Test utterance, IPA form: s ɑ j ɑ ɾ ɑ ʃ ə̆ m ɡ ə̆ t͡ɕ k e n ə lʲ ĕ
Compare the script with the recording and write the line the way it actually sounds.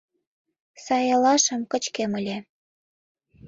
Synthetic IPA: s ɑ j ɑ l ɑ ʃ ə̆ m k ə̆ t͡ɕ k e m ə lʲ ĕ